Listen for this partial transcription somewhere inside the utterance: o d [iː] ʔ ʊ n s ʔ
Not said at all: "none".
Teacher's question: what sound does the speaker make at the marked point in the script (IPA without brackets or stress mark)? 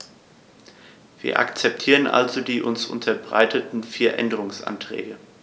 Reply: iː